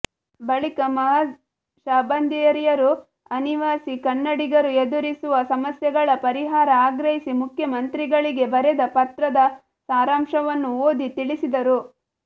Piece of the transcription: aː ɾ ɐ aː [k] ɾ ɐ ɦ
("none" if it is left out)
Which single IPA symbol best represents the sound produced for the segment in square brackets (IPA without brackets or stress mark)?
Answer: ɡ